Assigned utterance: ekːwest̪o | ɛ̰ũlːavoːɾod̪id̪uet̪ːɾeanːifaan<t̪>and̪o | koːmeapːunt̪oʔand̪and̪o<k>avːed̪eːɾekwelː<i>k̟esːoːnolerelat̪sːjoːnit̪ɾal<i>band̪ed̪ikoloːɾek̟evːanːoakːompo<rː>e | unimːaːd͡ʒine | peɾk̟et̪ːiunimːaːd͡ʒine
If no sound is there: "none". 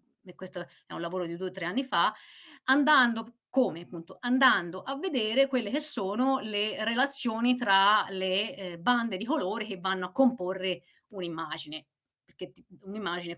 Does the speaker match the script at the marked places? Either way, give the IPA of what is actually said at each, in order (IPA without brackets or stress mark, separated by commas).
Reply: d̪, ʔ, e, e, rː